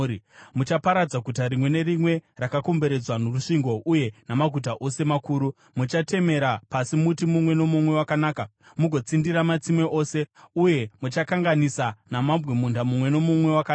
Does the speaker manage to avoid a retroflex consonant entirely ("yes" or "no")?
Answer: no